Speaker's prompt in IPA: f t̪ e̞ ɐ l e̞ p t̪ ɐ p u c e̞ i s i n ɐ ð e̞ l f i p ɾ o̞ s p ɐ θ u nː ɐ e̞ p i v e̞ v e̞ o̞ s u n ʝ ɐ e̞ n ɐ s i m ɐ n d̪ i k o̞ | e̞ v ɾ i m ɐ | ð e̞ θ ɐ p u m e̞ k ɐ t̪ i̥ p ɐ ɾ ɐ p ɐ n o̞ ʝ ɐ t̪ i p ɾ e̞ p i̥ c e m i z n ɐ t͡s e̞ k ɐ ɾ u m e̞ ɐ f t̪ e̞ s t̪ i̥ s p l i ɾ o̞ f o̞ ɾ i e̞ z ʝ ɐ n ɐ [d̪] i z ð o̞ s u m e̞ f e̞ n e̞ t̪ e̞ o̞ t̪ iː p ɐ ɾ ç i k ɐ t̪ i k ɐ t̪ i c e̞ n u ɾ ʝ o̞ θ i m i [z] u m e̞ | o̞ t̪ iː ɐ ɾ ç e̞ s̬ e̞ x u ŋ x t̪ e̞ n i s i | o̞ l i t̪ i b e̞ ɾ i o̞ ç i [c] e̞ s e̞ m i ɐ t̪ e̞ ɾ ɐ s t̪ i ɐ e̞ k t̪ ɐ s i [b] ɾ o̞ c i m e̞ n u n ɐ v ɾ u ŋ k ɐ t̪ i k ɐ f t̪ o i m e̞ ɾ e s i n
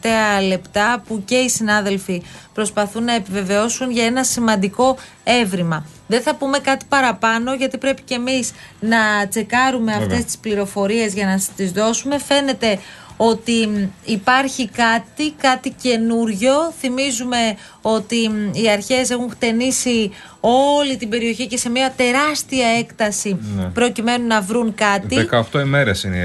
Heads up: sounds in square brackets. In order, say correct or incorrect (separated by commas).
incorrect, correct, correct, incorrect